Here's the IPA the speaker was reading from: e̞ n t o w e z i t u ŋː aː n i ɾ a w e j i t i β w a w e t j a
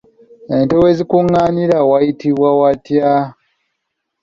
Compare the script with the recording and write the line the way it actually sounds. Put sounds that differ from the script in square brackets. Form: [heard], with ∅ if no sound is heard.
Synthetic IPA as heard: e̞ n t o w e z i [k] u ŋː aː n i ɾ a w [a] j i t i β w a w [a] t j a